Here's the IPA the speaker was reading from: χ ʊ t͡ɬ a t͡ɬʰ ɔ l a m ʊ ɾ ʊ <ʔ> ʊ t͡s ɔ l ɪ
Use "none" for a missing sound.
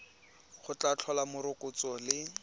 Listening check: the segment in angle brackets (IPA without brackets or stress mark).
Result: k